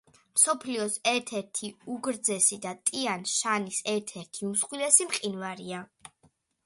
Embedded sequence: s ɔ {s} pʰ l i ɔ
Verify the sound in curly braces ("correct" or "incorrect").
incorrect